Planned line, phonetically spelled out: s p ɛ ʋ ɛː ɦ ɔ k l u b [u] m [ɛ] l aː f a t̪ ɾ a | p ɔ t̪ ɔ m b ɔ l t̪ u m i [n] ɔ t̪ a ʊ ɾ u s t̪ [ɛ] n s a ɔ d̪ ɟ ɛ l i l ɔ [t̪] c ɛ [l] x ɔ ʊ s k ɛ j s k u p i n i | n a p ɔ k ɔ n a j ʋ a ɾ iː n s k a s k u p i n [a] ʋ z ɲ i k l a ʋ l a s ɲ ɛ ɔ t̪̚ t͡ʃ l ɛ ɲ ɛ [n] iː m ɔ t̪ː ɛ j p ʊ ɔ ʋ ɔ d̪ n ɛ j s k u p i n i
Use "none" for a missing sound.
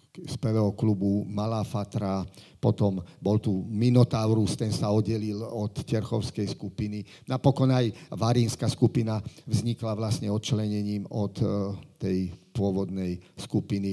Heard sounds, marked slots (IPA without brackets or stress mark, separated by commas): u, a, n, ɛ, t̪, ɾ, a, ɲ